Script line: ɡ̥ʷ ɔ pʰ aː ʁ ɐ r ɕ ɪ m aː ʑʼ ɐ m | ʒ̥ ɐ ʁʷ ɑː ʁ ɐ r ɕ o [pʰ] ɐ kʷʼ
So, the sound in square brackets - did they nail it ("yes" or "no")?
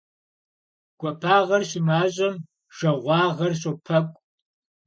yes